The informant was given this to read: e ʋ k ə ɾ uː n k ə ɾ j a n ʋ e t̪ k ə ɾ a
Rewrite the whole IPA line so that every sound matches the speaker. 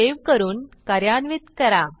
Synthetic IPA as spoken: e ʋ k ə ɾ uː n k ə ɾ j a n ʋ i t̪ k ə ɾ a